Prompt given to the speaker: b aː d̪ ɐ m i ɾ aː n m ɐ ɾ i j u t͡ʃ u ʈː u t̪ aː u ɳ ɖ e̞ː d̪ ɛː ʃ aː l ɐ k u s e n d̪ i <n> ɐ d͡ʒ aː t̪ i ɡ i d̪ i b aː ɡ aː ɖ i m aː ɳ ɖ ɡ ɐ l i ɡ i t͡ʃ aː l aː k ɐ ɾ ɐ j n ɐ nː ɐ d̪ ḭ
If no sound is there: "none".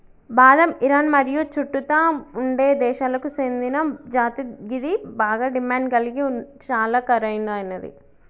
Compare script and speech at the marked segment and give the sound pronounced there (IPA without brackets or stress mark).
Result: n